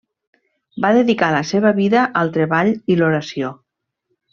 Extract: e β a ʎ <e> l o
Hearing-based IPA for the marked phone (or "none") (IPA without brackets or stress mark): i